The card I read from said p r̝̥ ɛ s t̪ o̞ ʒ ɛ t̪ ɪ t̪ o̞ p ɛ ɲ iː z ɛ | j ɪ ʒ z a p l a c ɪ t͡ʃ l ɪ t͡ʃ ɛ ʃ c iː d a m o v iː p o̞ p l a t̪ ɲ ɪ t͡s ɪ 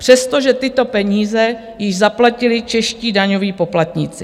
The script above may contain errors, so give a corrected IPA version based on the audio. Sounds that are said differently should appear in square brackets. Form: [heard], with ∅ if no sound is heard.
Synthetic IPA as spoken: p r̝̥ ɛ s t̪ o̞ ʒ ɛ t̪ ɪ t̪ o̞ p ɛ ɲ iː z ɛ | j ɪ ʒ z a p l a c ɪ [∅] l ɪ t͡ʃ ɛ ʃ c iː d a [ɲ] o v iː p o̞ p l a t̪ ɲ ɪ t͡s ɪ